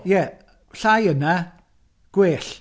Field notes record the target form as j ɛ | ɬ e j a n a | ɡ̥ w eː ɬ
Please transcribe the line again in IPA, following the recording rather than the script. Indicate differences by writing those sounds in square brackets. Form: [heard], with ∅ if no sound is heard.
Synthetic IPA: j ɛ | ɬ [a] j [ə] n a | ɡ̥ w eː ɬ